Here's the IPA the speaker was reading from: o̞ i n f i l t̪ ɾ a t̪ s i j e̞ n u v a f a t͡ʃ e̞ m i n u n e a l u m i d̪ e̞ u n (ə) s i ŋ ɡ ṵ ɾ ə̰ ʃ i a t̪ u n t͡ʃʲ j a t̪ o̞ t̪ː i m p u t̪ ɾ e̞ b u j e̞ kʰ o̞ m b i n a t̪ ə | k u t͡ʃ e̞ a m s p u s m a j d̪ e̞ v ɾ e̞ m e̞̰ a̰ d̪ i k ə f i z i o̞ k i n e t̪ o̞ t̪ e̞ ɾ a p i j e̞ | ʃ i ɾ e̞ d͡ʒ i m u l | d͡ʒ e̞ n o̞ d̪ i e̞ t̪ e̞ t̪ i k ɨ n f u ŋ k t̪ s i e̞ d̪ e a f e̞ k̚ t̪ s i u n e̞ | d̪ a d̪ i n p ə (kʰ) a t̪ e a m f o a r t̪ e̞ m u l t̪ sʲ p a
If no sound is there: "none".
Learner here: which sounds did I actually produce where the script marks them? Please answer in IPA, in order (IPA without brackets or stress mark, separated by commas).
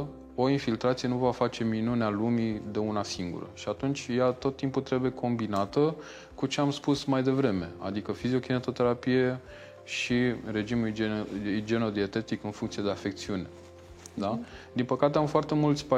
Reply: a, k